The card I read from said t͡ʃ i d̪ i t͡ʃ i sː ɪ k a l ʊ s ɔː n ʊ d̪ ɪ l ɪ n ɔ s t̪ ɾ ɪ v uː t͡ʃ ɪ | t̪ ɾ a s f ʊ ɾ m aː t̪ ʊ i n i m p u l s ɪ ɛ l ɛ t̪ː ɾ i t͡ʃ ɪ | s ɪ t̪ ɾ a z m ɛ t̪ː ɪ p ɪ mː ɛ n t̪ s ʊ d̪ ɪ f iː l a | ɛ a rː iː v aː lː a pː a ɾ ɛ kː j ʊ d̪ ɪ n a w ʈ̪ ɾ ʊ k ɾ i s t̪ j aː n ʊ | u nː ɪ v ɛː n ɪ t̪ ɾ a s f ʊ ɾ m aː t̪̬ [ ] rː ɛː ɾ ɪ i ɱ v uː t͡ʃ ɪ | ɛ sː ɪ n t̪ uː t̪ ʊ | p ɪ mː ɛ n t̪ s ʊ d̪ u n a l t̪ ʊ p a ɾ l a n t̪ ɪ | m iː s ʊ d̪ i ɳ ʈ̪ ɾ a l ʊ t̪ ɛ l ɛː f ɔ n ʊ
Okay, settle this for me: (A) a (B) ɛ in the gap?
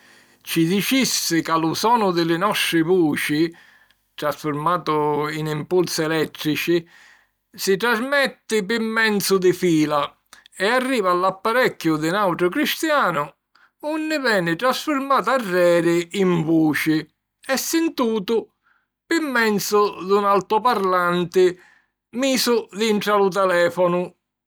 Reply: A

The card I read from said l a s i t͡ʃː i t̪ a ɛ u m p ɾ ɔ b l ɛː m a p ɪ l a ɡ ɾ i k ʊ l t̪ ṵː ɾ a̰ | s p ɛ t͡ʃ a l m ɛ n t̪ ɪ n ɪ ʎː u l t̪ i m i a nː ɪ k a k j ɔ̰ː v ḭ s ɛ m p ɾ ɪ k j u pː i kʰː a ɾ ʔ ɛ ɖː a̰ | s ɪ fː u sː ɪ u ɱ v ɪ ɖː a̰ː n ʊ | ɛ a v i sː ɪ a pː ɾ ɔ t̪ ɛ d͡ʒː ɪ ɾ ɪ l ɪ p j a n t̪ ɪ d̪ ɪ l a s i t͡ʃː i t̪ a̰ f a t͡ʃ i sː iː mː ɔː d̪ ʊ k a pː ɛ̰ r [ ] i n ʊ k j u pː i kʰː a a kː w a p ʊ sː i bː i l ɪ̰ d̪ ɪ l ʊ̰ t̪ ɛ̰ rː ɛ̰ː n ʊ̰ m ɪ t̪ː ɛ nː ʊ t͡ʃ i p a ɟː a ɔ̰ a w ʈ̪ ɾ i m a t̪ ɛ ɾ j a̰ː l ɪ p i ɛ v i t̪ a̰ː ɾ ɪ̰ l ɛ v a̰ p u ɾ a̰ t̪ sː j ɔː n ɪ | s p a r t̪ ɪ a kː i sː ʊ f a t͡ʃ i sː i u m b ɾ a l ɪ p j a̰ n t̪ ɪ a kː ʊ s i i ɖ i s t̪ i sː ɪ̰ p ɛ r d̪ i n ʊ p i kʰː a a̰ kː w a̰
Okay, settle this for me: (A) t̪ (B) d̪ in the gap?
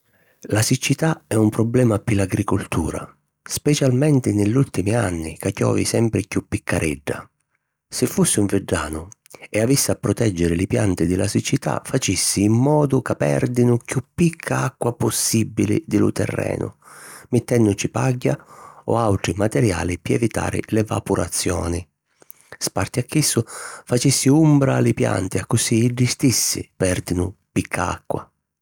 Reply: B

